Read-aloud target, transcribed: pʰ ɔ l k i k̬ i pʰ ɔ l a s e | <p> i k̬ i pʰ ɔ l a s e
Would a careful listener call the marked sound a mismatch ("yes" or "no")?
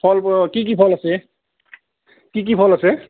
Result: yes